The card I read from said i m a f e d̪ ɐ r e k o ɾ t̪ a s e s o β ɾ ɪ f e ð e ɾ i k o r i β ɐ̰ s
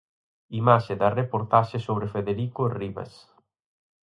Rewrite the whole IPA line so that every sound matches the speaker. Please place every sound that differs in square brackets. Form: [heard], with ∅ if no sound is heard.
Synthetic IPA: i m a [ʃ] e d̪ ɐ r e [p] o ɾ t̪ a [ʃ] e s o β ɾ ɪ f e ð e ɾ i k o r i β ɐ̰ s